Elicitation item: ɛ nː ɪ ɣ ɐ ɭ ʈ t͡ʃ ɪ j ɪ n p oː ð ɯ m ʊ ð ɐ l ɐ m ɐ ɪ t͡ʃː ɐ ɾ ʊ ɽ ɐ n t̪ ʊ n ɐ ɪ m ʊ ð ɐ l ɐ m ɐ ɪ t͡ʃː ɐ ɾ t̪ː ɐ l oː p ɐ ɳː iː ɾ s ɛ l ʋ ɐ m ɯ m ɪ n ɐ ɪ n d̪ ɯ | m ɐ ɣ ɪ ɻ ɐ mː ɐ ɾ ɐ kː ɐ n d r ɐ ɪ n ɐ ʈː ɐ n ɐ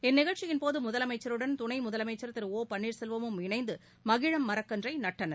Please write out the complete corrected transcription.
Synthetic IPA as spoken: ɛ nː ɪ ɣ ɐ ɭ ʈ t͡ʃ ɪ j ɪ n p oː ð ɯ m ʊ ð ɐ l ɐ m ɐ ɪ t͡ʃː ɐ ɾ ɯ ɽ ɐ n t̪ ʊ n ɐ ɪ m ʊ ð ɐ l ɐ m ɐ ɪ t͡ʃː ɐ ɾ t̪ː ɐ ɾ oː p ɐ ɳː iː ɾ s ɛ l ʋ ɐ m ɯ m ɪ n ɐ ɪ n d̪ ɯ | m ɐ ɣ ɪ ɻ ɐ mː ɐ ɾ ɐ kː ɐ n d r ɐ ɪ n ɐ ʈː ɐ n ɐ